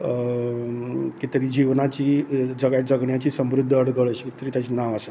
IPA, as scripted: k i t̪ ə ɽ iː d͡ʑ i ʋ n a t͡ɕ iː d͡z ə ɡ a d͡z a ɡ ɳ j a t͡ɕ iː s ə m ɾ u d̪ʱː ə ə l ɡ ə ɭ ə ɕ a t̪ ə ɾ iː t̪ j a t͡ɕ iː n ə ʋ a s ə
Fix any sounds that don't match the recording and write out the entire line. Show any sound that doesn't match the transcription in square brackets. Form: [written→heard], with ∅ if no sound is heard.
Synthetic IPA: k i t̪ ə [ɽ→ɾ] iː d͡ʑ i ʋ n a t͡ɕ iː d͡z ə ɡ a d͡z [a→ə] ɡ ɳ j a t͡ɕ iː s ə m ɾ u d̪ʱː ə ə [l→ɽ] ɡ ə ɭ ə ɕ [a→i] t̪ ə ɾ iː t̪ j a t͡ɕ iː n [ə→a] ʋ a s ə